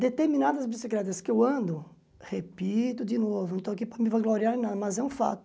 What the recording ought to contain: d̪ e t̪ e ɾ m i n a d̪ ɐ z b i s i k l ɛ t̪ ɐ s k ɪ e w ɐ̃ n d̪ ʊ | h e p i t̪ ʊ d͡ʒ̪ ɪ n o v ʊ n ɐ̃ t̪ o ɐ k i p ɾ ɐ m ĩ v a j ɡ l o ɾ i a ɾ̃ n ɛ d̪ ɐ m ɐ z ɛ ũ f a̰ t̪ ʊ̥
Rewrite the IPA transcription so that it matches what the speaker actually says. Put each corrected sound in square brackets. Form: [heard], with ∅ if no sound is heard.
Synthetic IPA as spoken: d̪ e t̪ e ɾ m i n a d̪ ɐ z b i s i k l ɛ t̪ ɐ s k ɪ e w ɐ̃ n d̪ ʊ | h e p i t̪ ʊ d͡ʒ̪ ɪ n o v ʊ n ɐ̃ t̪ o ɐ k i p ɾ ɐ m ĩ v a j ɡ l o ɾ i a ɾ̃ n [a] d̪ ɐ m ɐ z ɛ ũ f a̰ t̪ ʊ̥